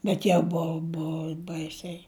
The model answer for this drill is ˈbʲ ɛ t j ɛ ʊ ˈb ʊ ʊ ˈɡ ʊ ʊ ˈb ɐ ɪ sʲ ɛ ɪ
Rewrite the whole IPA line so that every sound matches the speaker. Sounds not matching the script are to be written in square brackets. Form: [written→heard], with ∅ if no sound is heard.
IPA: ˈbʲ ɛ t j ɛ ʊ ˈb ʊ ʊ [ˈɡ→ˈb] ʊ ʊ ˈb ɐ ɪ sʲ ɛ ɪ